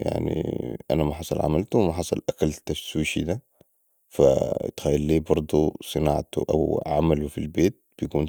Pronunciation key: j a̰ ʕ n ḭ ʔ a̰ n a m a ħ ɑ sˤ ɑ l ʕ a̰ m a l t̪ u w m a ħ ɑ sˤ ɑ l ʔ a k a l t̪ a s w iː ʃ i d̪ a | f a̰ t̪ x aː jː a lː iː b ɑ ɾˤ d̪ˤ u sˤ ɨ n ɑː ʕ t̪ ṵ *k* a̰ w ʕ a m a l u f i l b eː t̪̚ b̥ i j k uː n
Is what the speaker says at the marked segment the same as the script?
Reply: no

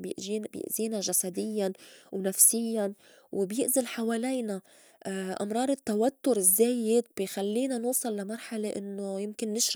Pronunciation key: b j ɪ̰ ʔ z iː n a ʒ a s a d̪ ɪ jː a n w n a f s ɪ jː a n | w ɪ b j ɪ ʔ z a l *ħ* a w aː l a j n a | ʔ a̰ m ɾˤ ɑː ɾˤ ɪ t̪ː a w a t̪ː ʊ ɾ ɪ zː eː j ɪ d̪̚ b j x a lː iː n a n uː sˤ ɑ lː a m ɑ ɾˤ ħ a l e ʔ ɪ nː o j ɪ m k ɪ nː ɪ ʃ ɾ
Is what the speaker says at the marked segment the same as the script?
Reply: yes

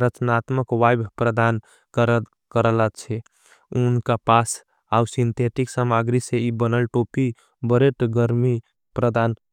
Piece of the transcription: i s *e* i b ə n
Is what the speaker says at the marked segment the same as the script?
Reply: yes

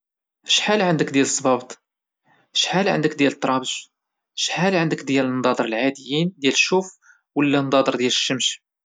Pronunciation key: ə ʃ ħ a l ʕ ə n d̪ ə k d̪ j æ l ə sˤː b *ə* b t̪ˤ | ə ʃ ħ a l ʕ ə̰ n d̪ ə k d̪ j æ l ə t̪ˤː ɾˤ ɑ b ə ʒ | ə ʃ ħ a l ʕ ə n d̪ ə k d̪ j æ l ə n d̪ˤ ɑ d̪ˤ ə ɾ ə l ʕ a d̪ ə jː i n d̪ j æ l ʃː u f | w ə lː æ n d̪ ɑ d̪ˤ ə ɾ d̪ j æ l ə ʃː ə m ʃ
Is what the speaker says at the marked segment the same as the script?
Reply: no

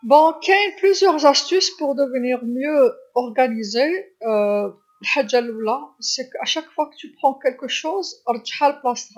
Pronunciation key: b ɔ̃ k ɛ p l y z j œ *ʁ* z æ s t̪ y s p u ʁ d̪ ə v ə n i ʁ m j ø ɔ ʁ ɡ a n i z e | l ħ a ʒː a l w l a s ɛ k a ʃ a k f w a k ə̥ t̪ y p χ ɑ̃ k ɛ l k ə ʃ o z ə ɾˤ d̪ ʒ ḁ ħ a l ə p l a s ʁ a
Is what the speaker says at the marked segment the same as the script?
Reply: yes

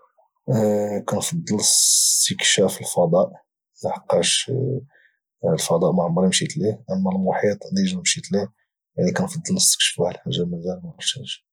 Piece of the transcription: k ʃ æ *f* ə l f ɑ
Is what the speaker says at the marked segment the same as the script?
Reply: yes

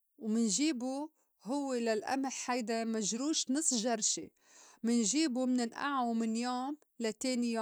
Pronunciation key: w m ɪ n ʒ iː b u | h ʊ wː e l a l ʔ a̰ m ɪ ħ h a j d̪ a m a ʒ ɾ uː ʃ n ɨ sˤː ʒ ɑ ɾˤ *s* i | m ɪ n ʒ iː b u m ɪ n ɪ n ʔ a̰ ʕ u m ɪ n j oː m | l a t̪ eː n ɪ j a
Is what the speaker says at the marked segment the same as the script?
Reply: no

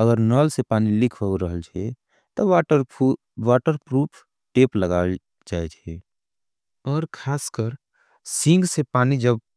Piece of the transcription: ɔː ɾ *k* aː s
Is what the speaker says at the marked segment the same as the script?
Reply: no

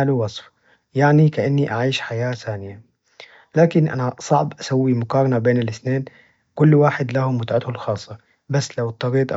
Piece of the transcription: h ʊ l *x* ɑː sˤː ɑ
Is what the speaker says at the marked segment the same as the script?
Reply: yes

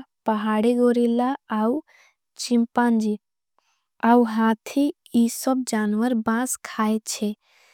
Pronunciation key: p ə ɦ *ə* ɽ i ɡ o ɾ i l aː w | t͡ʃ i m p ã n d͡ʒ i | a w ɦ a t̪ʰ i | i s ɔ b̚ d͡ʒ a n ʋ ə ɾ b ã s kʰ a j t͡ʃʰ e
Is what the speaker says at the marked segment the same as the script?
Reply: no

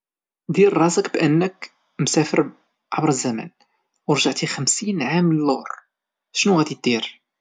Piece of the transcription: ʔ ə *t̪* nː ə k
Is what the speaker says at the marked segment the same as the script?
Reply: no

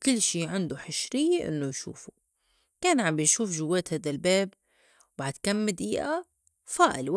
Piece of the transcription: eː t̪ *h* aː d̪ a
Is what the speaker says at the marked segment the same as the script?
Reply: yes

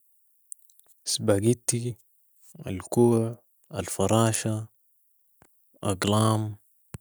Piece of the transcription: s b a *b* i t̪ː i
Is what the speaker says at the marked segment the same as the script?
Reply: no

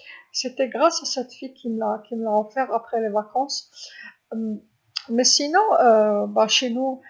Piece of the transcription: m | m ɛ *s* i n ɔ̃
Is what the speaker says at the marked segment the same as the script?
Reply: yes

